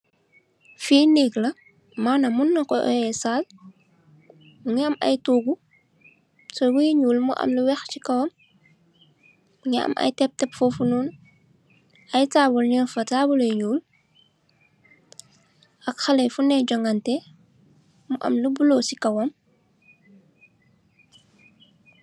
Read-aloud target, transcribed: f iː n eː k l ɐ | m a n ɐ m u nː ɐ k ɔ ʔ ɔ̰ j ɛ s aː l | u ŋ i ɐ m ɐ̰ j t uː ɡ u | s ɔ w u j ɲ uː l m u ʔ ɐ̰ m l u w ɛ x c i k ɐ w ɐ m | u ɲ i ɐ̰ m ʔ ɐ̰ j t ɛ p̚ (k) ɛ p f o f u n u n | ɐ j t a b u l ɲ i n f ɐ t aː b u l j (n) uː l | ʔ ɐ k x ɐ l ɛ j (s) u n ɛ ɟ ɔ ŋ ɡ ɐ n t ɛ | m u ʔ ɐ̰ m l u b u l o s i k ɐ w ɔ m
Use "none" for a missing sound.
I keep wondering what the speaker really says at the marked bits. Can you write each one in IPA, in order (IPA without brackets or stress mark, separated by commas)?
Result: t, ɲ, f